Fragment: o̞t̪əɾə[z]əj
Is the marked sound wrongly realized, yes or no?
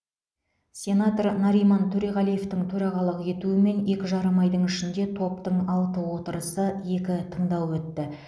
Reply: yes